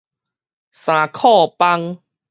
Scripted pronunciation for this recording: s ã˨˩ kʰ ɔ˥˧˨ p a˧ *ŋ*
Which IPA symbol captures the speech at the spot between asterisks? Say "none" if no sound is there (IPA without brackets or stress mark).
ŋ